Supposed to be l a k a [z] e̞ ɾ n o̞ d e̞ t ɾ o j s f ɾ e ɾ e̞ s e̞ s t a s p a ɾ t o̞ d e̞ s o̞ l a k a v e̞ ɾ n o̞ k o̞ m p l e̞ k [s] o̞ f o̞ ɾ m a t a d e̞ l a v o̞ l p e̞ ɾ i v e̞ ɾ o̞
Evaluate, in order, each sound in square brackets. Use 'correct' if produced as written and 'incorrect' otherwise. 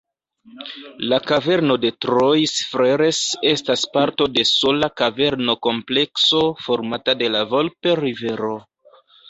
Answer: incorrect: v, correct

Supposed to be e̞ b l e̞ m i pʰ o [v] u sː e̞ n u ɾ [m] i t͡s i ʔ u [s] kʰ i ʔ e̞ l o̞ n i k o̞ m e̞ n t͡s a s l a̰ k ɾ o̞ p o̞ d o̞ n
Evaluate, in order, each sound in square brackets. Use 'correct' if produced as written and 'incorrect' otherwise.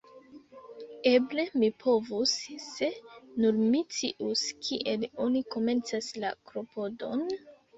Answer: correct, correct, correct

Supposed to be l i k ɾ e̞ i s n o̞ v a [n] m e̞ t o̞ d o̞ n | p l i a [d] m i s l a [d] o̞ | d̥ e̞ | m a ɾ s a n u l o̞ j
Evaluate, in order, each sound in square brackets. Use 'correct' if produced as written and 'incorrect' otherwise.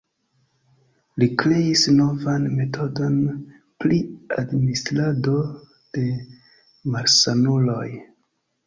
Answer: correct, correct, correct

